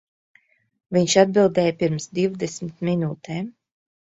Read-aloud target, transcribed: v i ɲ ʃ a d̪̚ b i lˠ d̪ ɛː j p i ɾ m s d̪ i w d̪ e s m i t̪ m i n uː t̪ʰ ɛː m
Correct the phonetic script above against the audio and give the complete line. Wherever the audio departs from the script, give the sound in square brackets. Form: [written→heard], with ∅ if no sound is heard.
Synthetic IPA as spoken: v i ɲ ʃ a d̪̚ b i lˠ d̪ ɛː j p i ɾ m s d̪ i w d̪ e s m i t̪ m i n uː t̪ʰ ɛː m